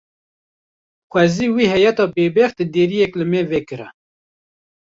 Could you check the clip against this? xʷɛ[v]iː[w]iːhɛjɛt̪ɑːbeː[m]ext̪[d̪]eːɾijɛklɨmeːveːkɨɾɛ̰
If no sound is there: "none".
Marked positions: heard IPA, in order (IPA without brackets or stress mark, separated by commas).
z, w, b, d̪